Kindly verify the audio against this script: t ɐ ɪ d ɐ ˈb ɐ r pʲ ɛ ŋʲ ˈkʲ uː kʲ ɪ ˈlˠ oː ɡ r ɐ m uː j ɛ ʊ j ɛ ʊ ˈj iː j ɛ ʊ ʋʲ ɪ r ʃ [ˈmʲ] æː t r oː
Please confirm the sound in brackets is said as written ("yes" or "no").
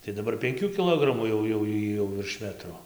yes